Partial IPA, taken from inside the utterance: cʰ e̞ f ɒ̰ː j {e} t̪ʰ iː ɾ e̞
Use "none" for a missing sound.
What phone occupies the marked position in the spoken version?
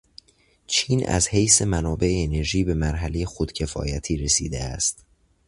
æ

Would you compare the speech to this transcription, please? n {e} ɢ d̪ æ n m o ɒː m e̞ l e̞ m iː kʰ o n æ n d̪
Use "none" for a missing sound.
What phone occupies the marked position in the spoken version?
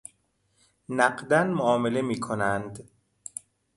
æ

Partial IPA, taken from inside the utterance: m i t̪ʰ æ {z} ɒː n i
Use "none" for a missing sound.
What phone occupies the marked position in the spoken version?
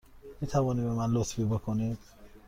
v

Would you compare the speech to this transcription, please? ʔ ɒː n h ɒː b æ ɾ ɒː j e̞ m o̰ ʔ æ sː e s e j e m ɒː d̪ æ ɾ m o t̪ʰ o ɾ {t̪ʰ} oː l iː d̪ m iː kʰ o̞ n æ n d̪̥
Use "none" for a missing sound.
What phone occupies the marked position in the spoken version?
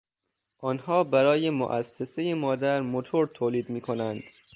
t̪ʰ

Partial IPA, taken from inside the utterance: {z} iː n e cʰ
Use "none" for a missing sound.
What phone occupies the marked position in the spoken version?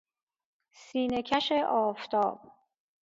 s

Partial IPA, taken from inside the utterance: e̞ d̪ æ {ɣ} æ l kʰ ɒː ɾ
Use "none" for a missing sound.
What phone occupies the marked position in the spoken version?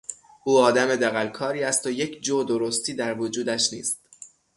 ɣ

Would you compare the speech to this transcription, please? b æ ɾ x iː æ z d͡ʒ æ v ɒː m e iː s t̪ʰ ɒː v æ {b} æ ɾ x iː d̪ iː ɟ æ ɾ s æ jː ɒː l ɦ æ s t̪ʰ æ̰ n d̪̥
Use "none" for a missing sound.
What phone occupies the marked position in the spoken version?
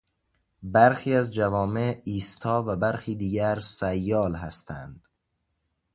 b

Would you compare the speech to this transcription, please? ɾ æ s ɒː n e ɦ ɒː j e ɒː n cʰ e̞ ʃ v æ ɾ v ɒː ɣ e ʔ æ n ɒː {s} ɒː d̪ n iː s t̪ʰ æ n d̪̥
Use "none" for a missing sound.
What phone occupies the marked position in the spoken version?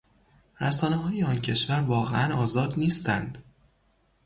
z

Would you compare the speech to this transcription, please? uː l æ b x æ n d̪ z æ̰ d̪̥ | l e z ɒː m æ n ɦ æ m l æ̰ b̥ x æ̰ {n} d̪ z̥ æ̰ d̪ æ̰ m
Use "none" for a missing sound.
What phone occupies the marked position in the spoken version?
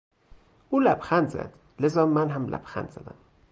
n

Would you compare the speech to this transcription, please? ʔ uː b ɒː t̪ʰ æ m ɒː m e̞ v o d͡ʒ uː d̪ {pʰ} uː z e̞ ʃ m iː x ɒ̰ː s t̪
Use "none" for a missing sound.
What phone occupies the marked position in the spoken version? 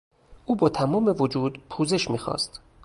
pʰ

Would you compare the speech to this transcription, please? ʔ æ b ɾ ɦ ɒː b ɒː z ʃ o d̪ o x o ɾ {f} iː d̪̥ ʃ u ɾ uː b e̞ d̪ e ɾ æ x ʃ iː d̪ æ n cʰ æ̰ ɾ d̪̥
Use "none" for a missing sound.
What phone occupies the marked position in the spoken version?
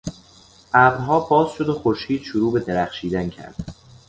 ʃ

